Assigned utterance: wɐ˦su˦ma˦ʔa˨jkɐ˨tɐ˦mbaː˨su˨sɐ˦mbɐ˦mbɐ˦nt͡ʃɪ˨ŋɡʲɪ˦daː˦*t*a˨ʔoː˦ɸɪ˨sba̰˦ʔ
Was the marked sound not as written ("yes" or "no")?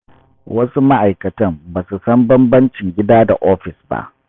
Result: yes